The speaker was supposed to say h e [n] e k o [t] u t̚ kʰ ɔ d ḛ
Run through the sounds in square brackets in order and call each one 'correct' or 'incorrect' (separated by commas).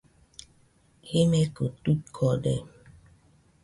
incorrect, correct